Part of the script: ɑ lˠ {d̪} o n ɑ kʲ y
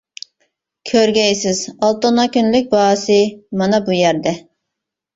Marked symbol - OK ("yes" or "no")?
no